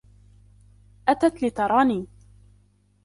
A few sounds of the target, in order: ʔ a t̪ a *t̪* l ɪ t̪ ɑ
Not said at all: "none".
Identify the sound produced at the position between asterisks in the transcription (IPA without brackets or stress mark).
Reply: t̪